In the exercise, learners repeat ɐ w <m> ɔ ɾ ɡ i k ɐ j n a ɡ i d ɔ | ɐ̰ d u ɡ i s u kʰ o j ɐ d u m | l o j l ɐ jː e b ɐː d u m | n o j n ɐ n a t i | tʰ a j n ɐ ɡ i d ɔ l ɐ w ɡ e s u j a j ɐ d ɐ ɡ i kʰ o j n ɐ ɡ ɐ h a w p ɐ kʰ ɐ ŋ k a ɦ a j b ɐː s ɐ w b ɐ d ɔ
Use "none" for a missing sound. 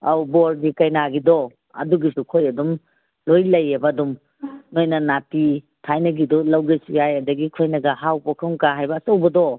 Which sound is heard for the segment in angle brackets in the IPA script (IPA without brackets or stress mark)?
b